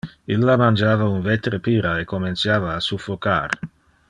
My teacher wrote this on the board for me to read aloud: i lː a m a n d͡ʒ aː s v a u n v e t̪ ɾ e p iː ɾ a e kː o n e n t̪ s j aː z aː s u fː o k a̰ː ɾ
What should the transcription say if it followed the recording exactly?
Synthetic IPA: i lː a m a n d͡ʒ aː v a u n v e t̪ ɾ e p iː ɾ a e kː o m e n t̪ s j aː v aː s u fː o k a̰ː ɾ

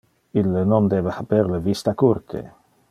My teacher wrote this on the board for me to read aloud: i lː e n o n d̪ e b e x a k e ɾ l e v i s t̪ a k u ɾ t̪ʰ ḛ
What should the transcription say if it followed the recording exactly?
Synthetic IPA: i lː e n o n d̪ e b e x a p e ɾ l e v i s t̪ a k u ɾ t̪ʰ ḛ

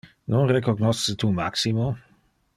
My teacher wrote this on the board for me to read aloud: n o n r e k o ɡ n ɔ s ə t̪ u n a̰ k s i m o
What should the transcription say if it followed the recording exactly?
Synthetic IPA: n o n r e k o ɡ n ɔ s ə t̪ u m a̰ k s i m o

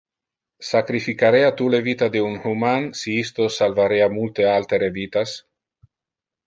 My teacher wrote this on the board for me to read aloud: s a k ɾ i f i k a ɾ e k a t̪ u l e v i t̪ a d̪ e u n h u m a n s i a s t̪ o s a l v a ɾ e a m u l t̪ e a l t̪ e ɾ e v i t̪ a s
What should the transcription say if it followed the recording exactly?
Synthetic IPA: s a k ɾ i f i k a ɾ e a t̪ u l e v i t̪ a d̪ e u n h u m a n s i i s t̪ o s a l v a ɾ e a m u l t̪ e a l t̪ e ɾ e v i t̪ a s

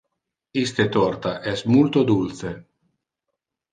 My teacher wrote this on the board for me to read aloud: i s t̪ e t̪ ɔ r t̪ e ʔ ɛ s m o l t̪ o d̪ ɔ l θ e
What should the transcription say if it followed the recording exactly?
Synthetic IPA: i s t̪ e t̪ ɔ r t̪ a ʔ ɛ s m u l t̪ o d̪ u l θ e

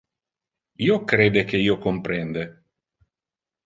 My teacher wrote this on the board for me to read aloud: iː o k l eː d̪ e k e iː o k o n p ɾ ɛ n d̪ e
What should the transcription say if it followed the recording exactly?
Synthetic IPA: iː o k ɾ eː d̪ e k e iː o k o m p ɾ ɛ n d̪ e

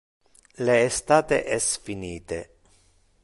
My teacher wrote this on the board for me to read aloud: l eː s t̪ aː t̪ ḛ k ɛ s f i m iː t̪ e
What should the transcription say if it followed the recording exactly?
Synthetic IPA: l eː s t̪ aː t̪ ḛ ʔ ɛ s f i n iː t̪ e

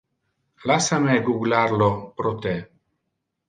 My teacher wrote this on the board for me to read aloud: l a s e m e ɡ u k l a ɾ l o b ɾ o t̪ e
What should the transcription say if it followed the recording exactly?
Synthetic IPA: l a s a m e ɡ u ɡ l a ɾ l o p ɾ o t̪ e

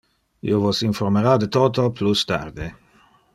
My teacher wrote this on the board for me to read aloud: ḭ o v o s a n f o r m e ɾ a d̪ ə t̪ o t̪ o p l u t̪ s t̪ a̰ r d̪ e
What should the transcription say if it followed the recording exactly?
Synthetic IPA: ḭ o v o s i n f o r m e ɾ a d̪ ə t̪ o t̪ o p l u s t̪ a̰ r d̪ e

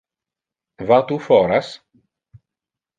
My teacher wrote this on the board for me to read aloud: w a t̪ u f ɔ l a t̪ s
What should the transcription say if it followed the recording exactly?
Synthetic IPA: v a t̪ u f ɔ ɾ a s

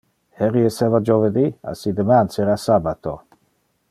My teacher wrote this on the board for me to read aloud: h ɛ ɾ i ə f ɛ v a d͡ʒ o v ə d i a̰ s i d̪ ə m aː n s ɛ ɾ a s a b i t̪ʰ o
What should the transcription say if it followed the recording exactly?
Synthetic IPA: h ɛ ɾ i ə s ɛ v a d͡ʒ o v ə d i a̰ s i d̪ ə m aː n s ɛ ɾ a s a b a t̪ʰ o

